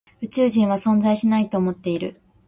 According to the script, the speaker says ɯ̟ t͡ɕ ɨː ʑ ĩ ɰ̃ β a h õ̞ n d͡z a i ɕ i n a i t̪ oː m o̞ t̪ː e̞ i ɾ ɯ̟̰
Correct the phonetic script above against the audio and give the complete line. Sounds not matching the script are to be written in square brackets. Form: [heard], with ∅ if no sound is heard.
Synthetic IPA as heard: ɯ̟ t͡ɕ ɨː ʑ ĩ ɰ̃ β a [s] õ̞ n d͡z a i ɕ i n a i t̪ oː m o̞ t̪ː e̞ i ɾ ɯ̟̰